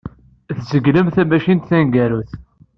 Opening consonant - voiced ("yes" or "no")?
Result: no